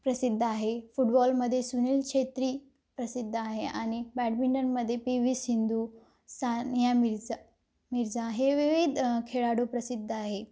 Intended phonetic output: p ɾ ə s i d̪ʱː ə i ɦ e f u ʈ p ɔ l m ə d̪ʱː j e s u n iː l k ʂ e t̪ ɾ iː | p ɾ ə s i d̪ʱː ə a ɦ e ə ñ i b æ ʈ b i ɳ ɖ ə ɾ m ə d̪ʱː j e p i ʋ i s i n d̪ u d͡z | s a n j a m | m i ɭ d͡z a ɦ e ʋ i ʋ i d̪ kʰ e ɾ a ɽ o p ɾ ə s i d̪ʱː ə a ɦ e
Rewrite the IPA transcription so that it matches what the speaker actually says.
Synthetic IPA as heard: p ɾ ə s i d̪ʱː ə a ɦ e f u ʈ b ɔ l m ə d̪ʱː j e s u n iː l k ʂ e t̪ ɾ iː | p ɾ ə s i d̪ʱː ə a ɦ e a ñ i b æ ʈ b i ɳ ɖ ə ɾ m ə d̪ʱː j e p i ʋ i s i n d̪ u | s a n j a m | m i ɾ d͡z a ɦ e ʋ i ʋ i d̪ kʰ e ɭ a ɽ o p ɾ ə s i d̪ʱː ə a ɦ e